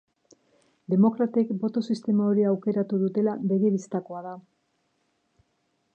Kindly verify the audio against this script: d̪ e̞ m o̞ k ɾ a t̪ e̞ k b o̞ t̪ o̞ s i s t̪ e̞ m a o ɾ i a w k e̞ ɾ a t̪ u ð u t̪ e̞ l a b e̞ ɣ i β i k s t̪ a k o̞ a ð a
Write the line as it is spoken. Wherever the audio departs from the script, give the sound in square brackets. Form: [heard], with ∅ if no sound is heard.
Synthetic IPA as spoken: d̪ e̞ m o̞ k ɾ a t̪ e̞ k b o̞ t̪ o̞ s i s t̪ e̞ m a o ɾ i a w k e̞ ɾ a t̪ u ð u t̪ e̞ l a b e̞ ɣ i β i [∅] s t̪ a k o̞ a ð a